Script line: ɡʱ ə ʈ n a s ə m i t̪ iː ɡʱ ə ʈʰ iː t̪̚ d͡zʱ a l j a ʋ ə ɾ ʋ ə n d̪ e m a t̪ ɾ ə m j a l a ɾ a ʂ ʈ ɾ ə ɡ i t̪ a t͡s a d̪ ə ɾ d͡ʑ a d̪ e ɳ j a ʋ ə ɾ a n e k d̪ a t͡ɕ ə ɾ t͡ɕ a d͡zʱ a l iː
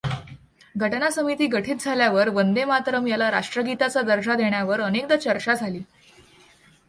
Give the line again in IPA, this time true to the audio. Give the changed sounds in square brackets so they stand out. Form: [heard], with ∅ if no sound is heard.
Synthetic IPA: ɡʱ ə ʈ n a s ə m i t̪ iː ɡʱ ə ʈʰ iː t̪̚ d͡zʱ a l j a ʋ ə ɾ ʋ ə n d̪ e m a t̪ ɾ ə m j a l a ɾ a ʂ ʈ ɾ ə ɡ i t̪ a t͡s a d̪ ə ɾ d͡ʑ a d̪ e ɳ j a ʋ ə ɾ [ə] n e k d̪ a t͡ɕ ə ɾ t͡ɕ a d͡zʱ a l iː